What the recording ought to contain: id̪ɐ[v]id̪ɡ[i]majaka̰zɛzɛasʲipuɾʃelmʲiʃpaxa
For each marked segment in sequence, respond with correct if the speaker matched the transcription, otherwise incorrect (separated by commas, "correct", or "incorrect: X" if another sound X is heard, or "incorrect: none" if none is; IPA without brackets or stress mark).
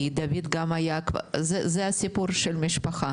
correct, incorrect: a